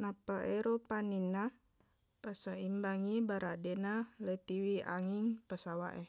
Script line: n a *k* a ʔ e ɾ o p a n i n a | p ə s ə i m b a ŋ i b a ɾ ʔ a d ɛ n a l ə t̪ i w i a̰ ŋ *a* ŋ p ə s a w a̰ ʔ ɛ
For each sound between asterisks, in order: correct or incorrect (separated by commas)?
incorrect, incorrect